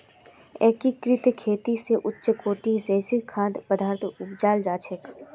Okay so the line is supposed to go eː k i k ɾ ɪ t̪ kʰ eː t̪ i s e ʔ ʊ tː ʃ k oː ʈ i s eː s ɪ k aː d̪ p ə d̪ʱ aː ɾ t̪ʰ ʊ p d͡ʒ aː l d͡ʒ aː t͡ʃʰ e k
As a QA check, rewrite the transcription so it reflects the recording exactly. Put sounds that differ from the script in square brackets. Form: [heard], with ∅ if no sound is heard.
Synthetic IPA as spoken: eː k i k ɾ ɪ t̪ kʰ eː t̪ i s e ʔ ʊ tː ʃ k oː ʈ i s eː s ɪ [kʰ] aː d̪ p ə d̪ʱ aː ɾ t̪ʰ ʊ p d͡ʒ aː l d͡ʒ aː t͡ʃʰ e k